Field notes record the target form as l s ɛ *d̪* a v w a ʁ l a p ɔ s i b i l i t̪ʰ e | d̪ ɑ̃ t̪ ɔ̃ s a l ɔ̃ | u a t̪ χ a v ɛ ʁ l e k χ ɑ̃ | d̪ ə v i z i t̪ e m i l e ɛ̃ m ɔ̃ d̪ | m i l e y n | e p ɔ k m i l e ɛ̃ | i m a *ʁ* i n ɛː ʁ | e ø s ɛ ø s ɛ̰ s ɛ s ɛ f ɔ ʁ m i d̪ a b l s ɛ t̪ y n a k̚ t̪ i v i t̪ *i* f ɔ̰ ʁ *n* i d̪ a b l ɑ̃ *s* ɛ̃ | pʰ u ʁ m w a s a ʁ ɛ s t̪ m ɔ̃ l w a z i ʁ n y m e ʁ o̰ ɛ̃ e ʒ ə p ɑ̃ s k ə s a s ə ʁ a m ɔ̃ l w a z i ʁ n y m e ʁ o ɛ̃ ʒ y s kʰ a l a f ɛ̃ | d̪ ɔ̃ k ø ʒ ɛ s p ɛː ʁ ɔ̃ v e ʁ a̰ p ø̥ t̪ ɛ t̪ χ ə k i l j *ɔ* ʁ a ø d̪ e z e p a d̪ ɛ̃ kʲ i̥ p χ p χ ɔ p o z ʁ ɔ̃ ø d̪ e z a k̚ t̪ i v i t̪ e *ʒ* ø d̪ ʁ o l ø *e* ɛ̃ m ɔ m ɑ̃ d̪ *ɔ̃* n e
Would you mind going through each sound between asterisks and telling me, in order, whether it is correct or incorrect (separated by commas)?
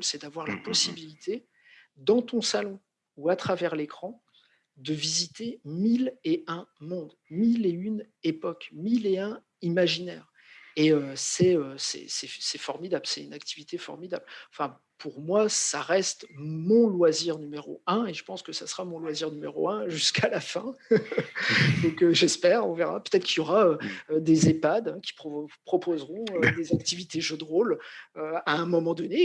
correct, incorrect, incorrect, incorrect, incorrect, correct, correct, incorrect, incorrect